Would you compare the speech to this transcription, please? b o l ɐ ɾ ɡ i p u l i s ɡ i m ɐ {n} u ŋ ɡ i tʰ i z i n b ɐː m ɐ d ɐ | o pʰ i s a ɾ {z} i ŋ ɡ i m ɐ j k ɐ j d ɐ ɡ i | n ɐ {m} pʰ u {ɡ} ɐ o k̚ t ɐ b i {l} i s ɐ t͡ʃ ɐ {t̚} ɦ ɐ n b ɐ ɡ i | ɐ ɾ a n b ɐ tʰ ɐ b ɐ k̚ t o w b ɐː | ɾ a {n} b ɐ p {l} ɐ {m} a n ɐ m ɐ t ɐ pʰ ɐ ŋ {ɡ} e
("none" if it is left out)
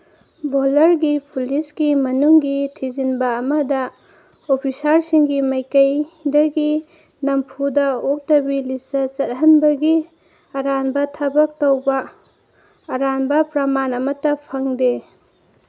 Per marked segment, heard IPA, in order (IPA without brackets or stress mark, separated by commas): n, s, m, d, l, t̚, n, ɾ, m, d